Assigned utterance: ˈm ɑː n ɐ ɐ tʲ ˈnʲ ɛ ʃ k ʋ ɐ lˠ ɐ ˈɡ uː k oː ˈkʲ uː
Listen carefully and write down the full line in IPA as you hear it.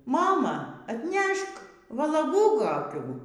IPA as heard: ˈm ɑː m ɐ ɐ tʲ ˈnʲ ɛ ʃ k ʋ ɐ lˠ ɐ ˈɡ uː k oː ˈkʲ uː

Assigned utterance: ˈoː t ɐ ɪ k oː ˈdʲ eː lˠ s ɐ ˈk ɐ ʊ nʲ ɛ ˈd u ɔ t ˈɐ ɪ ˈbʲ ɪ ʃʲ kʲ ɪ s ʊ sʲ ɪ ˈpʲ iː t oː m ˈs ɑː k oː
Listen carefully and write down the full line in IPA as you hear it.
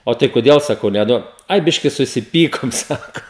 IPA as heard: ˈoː t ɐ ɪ k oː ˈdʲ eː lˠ s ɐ ˈk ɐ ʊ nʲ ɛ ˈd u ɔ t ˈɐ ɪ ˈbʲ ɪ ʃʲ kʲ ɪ s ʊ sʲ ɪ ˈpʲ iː k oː m ˈs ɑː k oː

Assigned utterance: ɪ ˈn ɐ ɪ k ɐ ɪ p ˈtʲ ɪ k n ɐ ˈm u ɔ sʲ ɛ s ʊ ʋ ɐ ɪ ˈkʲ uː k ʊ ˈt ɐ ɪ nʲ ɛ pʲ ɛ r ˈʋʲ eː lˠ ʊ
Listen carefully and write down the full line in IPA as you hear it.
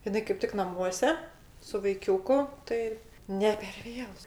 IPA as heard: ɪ ˈn ɐ ɪ k ɐ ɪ p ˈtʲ ɪ k n ɐ ˈm u ɔ sʲ ɛ s ʊ ʋ ɐ ɪ ˈkʲ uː k ʊ ˈt ɐ ɪ nʲ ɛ pʲ ɛ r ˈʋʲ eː lˠ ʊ

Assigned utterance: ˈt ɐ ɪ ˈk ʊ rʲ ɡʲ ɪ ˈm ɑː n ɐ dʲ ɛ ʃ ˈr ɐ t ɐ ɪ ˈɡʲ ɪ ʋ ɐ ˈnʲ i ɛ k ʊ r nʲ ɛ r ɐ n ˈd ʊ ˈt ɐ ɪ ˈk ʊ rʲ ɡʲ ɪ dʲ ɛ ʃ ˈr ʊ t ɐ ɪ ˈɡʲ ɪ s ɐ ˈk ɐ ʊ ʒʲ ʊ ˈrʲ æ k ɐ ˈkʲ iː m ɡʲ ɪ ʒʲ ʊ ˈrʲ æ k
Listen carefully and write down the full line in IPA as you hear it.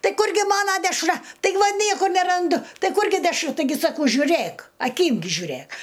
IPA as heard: ˈt ɐ ɪ ˈk ʊ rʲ ɡʲ ɪ ˈm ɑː n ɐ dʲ ɛ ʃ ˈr ɐ t ɐ ɪ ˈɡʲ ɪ ʋ ɐ ˈnʲ i ɛ k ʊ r nʲ ɛ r ɐ n ˈd ʊ ˈt ɐ ɪ ˈk ʊ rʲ ɡʲ ɪ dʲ ɛ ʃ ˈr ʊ t ɐ ɪ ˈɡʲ ɪ s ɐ ˈk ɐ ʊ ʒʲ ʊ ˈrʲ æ k ɐ ˈkʲ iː m ɡʲ ɪ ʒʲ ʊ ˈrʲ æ k

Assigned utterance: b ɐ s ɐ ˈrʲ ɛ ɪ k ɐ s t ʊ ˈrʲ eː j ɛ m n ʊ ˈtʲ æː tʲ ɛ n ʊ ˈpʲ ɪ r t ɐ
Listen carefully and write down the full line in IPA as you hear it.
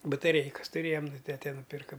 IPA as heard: b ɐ t ɐ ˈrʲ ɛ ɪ k ɐ s t ʊ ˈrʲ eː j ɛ m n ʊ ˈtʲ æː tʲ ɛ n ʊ ˈpʲ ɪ r k ɐ

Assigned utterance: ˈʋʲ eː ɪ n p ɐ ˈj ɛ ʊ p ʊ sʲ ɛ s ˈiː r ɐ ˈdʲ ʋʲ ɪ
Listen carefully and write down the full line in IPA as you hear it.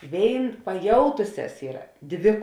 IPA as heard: ˈʋʲ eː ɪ n p ɐ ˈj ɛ ʊ t ʊ sʲ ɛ s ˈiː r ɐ ˈdʲ ʋʲ ɪ

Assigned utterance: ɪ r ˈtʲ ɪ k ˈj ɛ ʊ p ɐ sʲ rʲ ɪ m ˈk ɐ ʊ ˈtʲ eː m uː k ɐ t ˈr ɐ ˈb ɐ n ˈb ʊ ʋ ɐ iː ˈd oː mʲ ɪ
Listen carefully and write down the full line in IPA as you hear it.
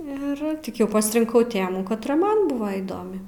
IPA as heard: ɪ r ˈtʲ ɪ k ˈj ɛ ʊ p ɐ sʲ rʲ ɪ ŋ ˈk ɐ ʊ ˈtʲ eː m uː k ɐ t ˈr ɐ ˈm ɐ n ˈb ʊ ʋ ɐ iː ˈd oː mʲ ɪ

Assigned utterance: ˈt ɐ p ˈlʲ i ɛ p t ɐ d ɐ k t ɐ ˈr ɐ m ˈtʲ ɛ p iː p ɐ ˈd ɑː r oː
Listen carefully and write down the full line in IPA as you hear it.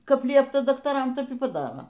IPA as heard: ˈk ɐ p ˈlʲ i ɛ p t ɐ d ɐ k t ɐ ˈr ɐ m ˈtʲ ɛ p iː p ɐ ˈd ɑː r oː

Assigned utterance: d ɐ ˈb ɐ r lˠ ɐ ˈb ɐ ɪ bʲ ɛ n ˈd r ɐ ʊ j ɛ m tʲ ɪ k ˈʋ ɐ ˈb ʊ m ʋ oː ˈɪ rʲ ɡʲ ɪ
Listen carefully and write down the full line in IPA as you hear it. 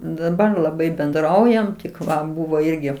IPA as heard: d ɐ ˈb ɐ r lˠ ɐ ˈb ɐ ɪ bʲ ɛ n ˈd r ɐ ʊ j ɛ m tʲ ɪ k ˈʋ ɐ ˈb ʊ ʋ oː ˈɪ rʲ ɡʲ ɪ

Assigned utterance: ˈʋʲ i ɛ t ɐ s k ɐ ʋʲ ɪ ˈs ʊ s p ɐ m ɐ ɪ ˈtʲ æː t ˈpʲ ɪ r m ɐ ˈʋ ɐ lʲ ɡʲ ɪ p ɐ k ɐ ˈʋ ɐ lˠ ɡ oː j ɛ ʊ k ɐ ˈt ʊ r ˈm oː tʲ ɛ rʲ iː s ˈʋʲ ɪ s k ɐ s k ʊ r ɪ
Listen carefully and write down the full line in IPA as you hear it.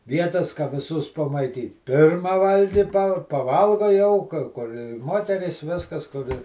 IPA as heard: ˈʋʲ i ɛ t ɐ s k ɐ ʋʲ ɪ ˈs ʊ s p ɐ m ɐ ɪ ˈtʲ iː t ˈpʲ ɪ r m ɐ ˈʋ ɐ lʲ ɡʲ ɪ p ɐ p ɐ ˈʋ ɐ lˠ ɡ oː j ɛ ʊ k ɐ ˈk ʊ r ˈm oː tʲ ɛ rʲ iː s ˈʋʲ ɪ s k ɐ s k ʊ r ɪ

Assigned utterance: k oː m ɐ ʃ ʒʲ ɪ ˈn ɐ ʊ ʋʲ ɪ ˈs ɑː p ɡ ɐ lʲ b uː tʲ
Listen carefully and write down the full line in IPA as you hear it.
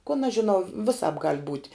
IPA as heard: k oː n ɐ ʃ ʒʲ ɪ ˈn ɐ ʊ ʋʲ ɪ ˈs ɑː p ɡ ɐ lʲ b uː tʲ

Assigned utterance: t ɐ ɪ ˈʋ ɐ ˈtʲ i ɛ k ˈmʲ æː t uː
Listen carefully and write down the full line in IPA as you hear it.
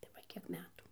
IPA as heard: t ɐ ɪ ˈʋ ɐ ˈkʲ i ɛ k ˈmʲ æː t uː

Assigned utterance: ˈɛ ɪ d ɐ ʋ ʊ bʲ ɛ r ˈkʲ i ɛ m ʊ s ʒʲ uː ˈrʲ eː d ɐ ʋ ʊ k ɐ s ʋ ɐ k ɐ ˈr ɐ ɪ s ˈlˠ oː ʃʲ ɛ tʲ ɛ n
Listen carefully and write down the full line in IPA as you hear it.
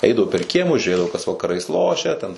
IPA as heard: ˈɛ ɪ d ɐ ʋ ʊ pʲ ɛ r ˈkʲ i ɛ m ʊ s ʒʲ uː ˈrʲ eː d ɐ ʋ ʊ k ɐ s ʋ ɐ k ɐ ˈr ɐ ɪ s ˈlˠ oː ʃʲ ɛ tʲ ɛ n

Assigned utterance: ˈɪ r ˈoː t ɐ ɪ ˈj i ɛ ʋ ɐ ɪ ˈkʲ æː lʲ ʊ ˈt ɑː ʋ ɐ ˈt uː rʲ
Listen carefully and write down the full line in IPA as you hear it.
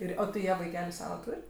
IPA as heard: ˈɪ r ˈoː t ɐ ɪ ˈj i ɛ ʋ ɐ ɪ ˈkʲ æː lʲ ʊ ˈs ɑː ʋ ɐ ˈt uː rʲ

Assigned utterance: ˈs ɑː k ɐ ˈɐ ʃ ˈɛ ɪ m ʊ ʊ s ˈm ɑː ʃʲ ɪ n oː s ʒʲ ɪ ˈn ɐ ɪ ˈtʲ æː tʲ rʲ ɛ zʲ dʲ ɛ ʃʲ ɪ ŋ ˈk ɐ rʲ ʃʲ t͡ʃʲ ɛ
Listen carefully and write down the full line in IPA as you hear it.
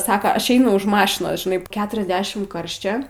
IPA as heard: ˈs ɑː k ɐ ˈɐ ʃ ˈɛ ɪ n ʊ ʊ ʃ ˈm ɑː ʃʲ ɪ n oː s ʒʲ ɪ ˈn ɐ ɪ ˈkʲ æː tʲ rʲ ɛ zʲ dʲ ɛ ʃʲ ɪ m ˈk ɐ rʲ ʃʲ t͡ʃʲ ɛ

